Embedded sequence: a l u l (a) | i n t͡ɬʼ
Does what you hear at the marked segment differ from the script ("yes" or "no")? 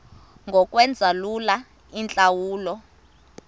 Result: no